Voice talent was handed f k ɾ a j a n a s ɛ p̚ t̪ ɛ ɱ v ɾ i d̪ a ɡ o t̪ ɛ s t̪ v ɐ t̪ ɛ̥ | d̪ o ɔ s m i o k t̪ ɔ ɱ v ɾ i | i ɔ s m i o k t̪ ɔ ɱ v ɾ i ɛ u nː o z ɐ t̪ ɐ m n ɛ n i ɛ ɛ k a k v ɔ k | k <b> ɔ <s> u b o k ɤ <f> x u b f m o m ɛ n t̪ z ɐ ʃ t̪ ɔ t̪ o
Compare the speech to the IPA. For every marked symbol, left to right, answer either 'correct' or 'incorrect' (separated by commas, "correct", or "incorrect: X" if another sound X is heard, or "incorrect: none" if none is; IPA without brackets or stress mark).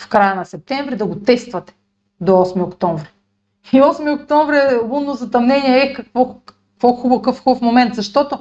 incorrect: v, incorrect: x, correct